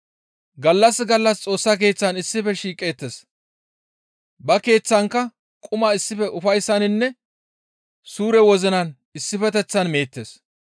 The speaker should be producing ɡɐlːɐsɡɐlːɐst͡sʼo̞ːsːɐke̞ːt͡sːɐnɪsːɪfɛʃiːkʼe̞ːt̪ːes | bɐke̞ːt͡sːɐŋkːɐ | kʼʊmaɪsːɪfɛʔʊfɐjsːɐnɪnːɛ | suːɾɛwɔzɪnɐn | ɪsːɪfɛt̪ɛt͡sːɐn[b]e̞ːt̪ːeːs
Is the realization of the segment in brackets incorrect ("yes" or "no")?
yes